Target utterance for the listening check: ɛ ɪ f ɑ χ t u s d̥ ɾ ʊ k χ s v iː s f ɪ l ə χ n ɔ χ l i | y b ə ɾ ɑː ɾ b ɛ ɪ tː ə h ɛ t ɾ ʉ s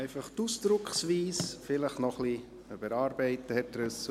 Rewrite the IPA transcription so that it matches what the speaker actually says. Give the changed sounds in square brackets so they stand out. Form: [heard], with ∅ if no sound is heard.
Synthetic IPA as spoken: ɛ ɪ f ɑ χ t u s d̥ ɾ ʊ k χ s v iː s f ɪ l ə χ n ɔ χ l i | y b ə ɾ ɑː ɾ b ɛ ɪ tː ə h ɛ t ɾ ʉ s